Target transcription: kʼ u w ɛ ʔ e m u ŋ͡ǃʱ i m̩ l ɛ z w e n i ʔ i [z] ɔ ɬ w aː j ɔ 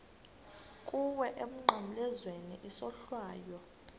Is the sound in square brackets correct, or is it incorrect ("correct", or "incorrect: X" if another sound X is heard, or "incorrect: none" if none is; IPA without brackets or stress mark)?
incorrect: s